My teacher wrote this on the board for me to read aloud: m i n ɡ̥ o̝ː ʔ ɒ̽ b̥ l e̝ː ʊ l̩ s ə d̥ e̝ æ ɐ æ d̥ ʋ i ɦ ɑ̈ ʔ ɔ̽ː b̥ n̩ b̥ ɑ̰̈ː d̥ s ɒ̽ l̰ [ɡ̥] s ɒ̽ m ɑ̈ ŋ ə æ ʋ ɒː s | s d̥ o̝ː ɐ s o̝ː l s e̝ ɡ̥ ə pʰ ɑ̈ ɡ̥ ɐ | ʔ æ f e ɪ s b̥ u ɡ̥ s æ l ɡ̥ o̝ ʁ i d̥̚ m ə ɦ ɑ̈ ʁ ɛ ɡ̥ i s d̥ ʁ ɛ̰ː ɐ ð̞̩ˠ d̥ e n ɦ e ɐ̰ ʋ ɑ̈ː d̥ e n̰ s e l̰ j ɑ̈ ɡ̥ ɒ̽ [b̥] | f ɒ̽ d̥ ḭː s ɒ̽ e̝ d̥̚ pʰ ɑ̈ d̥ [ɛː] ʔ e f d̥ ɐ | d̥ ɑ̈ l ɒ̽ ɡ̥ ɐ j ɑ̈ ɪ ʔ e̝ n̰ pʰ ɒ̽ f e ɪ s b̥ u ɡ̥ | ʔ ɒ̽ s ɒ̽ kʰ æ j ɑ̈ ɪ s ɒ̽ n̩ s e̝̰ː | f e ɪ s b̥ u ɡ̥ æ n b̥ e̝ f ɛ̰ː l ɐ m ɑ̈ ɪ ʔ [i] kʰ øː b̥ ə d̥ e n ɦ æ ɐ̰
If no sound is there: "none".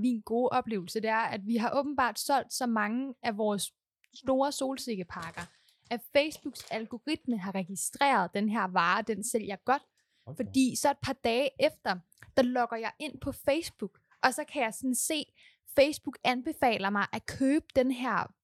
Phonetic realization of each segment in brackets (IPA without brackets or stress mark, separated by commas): d̥, d̥, ɛː, æ